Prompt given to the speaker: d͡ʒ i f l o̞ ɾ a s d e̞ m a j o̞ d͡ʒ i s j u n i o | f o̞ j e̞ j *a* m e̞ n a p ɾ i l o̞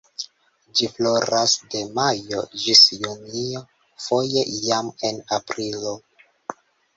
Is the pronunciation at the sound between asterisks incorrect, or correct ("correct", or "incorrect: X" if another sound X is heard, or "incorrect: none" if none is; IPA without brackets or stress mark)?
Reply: correct